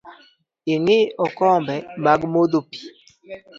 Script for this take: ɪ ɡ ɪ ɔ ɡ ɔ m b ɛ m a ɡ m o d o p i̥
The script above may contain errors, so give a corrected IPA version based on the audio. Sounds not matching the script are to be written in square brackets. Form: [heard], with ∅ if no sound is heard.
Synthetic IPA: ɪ [ŋ] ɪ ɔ [k] ɔ m b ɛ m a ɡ m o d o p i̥